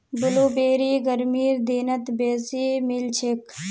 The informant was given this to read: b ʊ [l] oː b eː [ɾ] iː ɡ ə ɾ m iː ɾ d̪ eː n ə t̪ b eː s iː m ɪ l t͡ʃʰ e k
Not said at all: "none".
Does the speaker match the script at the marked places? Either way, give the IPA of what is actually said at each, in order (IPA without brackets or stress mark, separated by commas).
l, ɾ